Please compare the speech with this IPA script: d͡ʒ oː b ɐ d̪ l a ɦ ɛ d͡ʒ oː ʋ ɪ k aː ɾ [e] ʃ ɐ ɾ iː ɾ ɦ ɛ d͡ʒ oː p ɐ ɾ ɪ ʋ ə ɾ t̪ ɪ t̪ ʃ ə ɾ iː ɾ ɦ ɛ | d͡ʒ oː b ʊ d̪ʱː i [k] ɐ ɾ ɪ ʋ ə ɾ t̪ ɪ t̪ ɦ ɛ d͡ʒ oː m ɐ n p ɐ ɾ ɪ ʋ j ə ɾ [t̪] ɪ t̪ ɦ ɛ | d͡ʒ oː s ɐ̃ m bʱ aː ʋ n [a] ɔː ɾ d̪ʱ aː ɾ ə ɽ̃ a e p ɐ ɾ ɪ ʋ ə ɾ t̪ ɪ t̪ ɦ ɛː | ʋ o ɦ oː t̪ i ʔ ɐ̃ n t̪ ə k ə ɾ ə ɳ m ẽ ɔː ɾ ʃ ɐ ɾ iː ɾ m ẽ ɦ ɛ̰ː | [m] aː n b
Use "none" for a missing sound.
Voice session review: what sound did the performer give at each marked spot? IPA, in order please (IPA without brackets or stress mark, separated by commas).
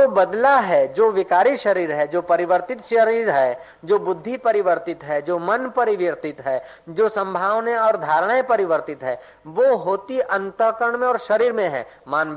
i, p, t̪, e, m